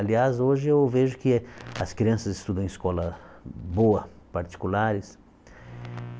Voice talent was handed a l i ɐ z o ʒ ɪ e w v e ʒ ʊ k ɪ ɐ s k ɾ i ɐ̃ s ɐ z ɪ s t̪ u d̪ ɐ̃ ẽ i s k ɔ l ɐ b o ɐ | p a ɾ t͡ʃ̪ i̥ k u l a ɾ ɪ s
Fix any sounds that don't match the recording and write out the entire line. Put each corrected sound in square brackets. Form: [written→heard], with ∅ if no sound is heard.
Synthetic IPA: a l i [ɐ→a] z o ʒ ɪ e w v e ʒ ʊ k ɪ ɐ s k ɾ i ɐ̃ s ɐ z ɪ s t̪ u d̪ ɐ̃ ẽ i s k ɔ l ɐ b o ɐ | p a ɾ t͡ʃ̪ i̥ k u l a ɾ ɪ s

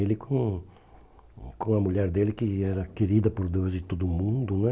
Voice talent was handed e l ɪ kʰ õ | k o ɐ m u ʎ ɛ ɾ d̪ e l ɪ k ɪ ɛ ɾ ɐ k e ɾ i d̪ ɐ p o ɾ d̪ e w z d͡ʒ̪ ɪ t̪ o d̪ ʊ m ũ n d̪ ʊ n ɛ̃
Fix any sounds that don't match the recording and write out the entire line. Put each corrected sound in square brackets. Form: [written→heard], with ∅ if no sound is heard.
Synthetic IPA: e l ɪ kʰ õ | k [o→õ] ɐ m u ʎ ɛ ɾ d̪ e l ɪ k ɪ ɛ ɾ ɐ k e ɾ i d̪ ɐ p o ɾ d̪ e w z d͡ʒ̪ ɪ t̪ o d̪ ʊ m ũ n d̪ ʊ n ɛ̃

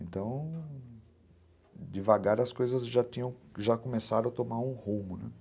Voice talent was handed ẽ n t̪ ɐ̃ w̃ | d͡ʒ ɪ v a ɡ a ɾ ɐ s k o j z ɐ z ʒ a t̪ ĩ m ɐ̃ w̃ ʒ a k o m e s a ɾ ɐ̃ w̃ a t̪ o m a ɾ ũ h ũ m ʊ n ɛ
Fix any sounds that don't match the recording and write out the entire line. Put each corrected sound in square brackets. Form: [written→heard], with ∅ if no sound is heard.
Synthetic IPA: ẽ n t̪ ɐ̃ w̃ | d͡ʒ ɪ v a ɡ a ɾ ɐ s k o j z ɐ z ʒ a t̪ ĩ [m→ɲ] ɐ̃ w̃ ʒ a k o m e s a ɾ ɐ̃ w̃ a t̪ o m a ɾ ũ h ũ m ʊ n ɛ

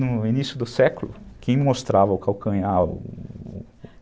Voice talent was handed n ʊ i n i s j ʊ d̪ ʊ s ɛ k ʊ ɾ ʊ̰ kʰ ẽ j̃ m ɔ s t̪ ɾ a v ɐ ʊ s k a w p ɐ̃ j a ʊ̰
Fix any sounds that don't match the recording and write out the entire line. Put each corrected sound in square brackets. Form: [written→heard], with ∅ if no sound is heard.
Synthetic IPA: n ʊ i n i s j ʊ d̪ ʊ s ɛ k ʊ [ɾ→l] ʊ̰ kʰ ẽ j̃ m [ɔ→o] s t̪ ɾ a v ɐ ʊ [s→∅] k a w [p→k] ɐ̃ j a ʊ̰

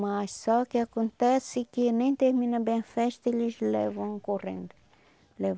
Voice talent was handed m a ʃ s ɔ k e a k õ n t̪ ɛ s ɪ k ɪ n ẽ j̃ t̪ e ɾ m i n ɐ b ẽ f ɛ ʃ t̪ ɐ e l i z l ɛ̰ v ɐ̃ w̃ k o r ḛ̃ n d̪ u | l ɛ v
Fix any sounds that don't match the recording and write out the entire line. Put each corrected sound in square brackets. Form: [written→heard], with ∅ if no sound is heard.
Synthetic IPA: m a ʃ s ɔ k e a k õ n t̪ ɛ s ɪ k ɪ n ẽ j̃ t̪ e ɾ m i n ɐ b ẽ f ɛ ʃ t̪ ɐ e l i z l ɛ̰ v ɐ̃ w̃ k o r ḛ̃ n d̪ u | l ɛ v

